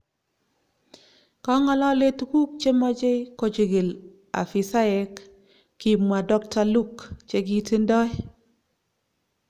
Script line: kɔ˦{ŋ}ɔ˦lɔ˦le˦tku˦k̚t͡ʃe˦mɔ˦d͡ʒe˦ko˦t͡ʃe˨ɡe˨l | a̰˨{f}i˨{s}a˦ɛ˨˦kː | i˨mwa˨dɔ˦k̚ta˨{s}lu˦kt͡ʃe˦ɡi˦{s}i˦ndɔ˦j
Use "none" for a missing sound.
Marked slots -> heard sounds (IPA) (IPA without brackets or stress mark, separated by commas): ŋ, f, s, none, t